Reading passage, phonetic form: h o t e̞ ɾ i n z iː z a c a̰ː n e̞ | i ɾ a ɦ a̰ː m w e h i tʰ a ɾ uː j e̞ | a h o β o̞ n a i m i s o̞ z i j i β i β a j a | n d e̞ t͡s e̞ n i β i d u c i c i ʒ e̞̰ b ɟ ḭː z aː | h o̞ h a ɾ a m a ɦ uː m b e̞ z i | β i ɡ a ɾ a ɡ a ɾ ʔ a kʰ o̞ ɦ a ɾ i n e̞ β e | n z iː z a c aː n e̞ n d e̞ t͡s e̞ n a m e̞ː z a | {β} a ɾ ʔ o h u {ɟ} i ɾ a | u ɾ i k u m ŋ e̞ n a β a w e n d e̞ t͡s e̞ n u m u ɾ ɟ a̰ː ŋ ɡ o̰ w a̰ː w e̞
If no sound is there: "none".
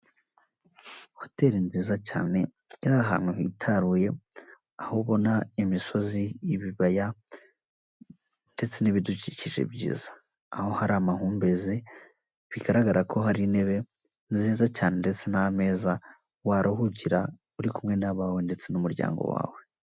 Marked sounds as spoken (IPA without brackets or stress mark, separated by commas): w, ɟ